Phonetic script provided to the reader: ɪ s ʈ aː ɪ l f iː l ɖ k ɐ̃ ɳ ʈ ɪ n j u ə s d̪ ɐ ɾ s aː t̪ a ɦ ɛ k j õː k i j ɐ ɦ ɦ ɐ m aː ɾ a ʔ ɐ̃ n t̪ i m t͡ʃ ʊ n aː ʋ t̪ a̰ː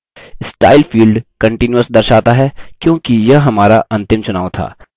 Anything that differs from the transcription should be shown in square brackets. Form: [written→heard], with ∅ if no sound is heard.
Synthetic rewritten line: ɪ s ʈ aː ɪ l f iː l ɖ k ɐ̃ ɳ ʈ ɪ n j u ə s d̪ ɐ ɾ [s→ʃ] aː t̪ a ɦ ɛ k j õː k i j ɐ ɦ ɦ ɐ m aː ɾ a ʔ ɐ̃ n t̪ [i→ɪ] m t͡ʃ ʊ n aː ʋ [t̪→t̪ʰ] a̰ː